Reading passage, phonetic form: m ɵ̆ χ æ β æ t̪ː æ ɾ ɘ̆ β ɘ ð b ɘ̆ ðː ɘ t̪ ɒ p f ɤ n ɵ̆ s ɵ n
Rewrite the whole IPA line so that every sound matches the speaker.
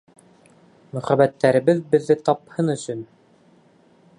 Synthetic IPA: m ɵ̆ χ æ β æ t̪ː æ ɾ ɘ̆ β ɘ ð b ɘ̆ ðː ɘ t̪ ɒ p h ɤ n ɵ̆ s ɵ n